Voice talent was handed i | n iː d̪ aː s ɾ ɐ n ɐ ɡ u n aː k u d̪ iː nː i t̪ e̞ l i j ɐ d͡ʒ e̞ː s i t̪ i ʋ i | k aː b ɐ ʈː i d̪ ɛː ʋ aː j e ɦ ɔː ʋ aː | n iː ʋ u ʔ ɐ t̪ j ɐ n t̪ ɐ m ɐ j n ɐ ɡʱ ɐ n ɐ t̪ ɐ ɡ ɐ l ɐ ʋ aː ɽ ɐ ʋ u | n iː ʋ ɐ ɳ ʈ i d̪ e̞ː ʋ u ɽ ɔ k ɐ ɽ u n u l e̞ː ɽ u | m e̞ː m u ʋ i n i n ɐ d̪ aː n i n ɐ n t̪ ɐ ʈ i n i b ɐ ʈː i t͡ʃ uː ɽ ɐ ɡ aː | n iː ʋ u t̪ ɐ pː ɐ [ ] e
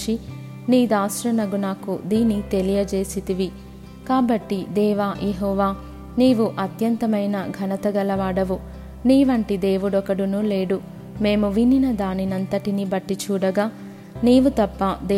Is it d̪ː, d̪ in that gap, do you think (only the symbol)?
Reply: d̪